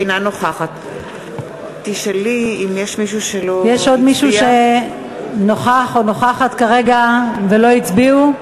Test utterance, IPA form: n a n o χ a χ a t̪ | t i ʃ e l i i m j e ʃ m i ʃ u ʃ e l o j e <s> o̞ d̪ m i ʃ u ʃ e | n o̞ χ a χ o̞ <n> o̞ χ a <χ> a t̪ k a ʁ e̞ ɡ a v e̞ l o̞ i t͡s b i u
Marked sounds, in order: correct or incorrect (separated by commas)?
incorrect, correct, correct